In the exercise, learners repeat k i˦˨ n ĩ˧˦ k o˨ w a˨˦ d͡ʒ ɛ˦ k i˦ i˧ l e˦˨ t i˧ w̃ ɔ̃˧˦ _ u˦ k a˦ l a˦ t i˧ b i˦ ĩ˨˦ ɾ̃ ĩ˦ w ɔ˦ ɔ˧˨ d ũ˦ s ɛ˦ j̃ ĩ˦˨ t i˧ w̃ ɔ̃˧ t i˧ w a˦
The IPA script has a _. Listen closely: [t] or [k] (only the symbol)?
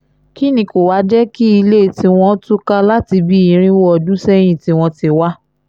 t